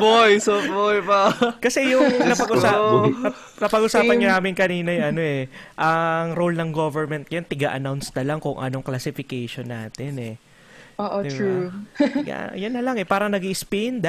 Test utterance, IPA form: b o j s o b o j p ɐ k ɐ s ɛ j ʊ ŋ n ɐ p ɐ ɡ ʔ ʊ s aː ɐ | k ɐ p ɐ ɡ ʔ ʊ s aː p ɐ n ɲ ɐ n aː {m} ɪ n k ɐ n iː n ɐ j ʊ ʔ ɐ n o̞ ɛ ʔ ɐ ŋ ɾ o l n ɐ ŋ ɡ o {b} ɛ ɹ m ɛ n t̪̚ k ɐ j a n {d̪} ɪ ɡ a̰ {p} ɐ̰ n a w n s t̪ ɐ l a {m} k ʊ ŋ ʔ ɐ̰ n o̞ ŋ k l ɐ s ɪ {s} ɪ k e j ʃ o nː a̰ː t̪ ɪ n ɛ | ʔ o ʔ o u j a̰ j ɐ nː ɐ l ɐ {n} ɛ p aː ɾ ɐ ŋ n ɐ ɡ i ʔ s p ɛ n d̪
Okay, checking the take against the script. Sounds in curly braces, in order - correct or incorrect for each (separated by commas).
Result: correct, incorrect, incorrect, incorrect, incorrect, incorrect, incorrect